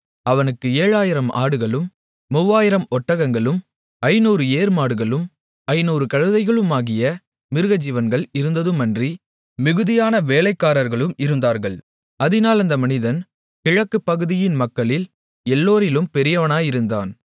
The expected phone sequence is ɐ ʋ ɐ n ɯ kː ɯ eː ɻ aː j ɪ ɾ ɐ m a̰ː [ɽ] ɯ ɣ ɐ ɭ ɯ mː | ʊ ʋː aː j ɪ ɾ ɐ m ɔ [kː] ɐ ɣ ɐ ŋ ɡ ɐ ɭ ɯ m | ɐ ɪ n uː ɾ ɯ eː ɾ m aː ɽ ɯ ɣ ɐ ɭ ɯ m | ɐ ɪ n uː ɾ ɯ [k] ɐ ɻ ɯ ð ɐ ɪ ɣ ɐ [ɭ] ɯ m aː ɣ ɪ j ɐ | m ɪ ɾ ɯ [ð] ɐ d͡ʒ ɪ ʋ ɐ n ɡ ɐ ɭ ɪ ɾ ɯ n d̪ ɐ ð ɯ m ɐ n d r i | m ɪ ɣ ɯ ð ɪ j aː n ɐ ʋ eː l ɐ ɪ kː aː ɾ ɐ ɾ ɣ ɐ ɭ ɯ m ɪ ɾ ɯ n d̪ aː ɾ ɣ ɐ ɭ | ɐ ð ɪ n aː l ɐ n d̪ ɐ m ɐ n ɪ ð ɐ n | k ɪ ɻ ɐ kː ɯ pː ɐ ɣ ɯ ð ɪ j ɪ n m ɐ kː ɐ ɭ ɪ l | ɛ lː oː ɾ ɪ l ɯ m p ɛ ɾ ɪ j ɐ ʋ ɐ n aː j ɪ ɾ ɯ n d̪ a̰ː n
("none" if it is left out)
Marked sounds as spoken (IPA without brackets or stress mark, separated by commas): ɽ, ʈː, k, ɭ, ɣ